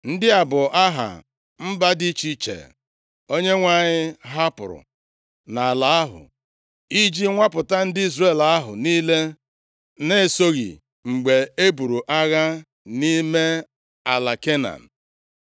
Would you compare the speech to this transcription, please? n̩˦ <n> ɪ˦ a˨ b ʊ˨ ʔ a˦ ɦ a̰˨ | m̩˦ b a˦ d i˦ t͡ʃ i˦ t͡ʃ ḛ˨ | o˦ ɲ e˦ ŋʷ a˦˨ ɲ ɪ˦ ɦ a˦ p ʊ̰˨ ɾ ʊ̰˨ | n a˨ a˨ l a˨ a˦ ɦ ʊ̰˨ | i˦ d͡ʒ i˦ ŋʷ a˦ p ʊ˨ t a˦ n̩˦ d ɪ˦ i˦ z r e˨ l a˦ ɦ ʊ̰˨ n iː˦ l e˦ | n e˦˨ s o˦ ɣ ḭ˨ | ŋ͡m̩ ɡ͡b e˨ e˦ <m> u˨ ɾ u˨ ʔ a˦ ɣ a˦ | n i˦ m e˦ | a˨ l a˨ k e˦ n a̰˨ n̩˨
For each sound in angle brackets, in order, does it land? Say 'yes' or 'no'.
no, no

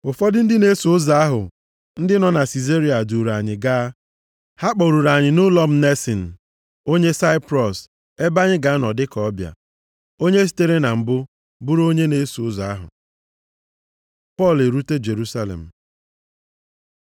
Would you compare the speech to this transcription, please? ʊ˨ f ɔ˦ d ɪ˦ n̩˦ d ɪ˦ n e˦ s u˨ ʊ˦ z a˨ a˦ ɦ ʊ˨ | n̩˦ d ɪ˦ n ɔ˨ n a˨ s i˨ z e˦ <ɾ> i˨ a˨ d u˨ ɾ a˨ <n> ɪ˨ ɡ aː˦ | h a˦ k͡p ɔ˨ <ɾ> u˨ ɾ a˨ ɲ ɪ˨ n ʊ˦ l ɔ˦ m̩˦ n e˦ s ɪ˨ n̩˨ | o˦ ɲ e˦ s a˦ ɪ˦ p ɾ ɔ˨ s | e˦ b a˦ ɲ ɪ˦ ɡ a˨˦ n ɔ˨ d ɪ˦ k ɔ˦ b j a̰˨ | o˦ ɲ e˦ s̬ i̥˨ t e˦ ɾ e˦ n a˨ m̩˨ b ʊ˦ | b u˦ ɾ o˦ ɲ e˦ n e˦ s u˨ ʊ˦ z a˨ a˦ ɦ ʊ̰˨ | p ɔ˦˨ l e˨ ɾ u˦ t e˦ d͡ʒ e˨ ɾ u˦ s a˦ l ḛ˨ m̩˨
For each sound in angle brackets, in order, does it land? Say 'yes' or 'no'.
yes, no, yes

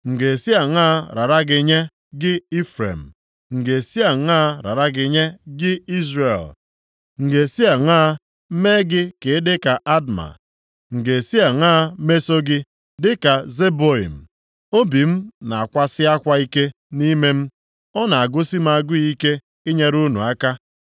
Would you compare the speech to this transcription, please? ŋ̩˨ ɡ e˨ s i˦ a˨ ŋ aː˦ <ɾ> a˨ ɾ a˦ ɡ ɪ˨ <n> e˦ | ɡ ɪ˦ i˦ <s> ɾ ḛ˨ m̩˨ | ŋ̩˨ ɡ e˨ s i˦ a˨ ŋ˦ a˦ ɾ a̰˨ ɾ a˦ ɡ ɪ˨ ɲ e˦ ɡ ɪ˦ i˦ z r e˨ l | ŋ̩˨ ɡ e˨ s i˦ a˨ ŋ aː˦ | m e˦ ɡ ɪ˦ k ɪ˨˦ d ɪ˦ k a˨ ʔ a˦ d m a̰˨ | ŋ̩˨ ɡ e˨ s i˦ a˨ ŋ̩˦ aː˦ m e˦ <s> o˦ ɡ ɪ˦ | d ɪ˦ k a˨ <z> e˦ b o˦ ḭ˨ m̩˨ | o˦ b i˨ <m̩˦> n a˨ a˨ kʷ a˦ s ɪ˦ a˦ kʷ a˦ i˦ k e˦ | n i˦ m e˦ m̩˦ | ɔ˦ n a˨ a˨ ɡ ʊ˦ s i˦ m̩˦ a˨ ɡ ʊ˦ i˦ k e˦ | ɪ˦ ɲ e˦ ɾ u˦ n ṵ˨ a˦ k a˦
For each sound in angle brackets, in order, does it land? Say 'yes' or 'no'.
yes, no, no, yes, yes, yes

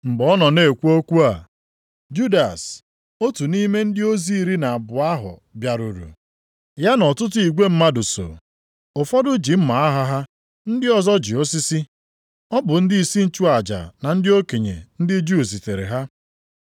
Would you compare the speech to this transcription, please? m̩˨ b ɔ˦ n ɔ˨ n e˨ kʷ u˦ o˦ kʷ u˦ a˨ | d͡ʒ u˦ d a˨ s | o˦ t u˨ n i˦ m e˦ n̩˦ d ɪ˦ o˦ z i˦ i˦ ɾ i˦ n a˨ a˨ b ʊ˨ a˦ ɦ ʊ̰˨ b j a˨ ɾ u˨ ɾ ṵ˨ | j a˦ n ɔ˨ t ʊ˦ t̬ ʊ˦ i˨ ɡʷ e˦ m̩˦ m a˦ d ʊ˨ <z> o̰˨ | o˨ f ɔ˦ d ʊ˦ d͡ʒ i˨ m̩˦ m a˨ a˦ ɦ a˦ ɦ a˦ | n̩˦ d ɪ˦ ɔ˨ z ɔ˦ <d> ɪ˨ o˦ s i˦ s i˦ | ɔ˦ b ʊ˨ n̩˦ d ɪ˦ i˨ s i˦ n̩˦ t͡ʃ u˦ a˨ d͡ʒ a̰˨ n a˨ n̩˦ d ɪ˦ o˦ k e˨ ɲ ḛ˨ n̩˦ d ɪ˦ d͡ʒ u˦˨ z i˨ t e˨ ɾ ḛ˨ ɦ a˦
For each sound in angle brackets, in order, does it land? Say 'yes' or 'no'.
no, no

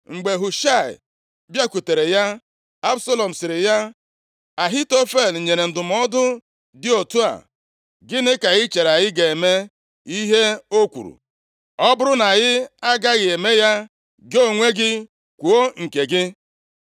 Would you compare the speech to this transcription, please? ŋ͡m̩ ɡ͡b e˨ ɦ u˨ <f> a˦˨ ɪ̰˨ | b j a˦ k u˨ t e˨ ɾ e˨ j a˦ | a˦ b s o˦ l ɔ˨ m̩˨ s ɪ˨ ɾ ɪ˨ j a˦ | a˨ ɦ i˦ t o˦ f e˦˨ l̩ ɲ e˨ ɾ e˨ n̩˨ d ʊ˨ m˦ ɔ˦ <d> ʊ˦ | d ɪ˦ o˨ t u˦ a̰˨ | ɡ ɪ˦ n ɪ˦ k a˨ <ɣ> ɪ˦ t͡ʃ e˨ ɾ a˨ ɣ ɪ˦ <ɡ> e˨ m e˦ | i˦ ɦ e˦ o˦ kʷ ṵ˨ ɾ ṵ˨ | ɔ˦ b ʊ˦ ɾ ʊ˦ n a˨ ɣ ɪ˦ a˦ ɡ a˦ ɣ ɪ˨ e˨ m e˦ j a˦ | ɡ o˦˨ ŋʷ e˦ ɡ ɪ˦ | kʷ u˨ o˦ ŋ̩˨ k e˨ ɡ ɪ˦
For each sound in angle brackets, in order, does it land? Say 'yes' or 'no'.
no, yes, yes, yes

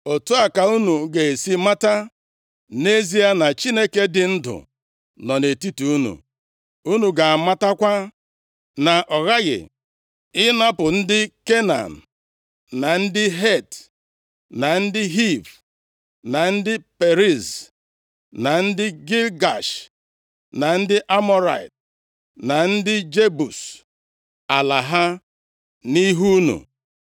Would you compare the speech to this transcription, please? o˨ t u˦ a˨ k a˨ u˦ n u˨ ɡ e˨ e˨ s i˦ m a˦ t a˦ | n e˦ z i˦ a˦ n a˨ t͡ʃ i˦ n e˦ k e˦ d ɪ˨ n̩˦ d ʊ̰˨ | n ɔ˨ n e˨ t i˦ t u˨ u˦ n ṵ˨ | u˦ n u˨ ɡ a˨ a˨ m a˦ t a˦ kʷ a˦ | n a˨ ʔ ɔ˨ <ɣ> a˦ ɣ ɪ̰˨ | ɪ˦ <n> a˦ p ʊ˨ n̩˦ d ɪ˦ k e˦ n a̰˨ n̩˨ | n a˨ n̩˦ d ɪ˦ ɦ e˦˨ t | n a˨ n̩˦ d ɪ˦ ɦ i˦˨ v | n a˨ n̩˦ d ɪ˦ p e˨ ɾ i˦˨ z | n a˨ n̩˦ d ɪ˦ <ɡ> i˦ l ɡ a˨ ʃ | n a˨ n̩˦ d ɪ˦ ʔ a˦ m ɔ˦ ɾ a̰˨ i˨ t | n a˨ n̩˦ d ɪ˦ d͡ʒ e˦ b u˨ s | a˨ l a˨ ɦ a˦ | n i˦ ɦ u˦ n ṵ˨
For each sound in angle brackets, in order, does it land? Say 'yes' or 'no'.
yes, yes, yes

